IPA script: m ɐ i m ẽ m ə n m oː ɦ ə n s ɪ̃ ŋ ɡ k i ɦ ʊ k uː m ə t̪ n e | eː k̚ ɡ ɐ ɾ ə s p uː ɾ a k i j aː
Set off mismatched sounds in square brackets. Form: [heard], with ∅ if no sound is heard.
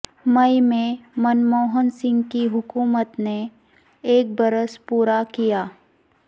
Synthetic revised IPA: m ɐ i m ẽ m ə n m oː ɦ ə n s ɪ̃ ŋ ɡ k i ɦ ʊ k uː m ə t̪ n e | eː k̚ [b] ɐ ɾ ə s p uː ɾ a k i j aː